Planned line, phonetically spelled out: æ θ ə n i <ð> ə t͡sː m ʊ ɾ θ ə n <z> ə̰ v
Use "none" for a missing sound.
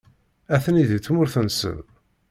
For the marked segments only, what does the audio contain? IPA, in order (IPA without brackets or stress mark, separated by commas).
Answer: ð, s